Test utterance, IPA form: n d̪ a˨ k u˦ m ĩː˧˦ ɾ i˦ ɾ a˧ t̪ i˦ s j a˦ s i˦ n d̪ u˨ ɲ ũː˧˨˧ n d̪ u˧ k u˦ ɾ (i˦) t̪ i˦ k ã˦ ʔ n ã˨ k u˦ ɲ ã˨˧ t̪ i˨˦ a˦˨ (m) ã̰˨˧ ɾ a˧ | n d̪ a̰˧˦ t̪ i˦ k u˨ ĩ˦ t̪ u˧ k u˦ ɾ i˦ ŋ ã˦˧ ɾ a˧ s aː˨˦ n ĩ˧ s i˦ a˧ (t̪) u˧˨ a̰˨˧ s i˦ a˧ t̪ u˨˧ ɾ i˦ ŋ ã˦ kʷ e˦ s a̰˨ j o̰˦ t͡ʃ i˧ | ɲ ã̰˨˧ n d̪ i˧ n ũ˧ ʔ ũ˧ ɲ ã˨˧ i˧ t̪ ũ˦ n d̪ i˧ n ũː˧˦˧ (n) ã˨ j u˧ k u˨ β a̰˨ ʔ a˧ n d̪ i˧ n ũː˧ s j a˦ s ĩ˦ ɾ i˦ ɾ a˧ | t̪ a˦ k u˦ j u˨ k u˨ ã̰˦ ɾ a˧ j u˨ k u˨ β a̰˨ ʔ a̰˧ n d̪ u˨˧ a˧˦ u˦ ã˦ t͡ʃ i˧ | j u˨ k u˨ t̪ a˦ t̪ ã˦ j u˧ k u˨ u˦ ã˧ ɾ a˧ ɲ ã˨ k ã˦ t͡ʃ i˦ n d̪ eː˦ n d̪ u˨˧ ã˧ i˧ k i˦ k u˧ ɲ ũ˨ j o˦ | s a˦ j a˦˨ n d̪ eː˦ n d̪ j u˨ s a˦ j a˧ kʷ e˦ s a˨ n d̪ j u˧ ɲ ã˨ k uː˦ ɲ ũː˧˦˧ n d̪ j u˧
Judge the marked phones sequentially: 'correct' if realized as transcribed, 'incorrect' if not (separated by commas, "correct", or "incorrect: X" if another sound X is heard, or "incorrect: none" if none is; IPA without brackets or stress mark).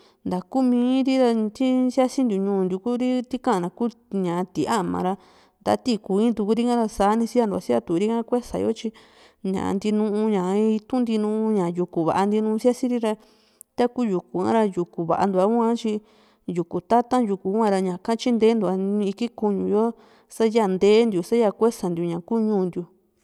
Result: correct, correct, incorrect: d̪, incorrect: ɲ